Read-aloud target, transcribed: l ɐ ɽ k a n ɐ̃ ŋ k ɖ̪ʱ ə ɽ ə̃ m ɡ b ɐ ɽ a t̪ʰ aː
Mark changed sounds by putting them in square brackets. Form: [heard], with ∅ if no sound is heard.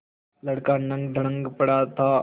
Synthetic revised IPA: l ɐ ɽ k a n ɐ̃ ŋ [ɡ] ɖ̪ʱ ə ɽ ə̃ [ŋ] ɡ [p] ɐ ɽ a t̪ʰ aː